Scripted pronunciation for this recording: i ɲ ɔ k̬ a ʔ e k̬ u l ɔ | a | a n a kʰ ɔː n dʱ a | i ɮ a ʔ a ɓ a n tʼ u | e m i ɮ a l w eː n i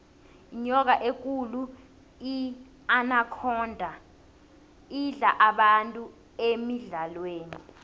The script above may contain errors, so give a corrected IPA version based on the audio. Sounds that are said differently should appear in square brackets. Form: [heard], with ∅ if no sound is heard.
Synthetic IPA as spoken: i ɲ ɔ k̬ a ʔ e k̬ u l [u] | [i] | a n a kʰ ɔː n dʱ a | i ɮ a ʔ a ɓ a n tʼ u | e m i ɮ a l w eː n i